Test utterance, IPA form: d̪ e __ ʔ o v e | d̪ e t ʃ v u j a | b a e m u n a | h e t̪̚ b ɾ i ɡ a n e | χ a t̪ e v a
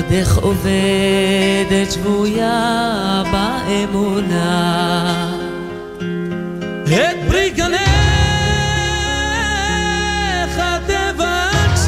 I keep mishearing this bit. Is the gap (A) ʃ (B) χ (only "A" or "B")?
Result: B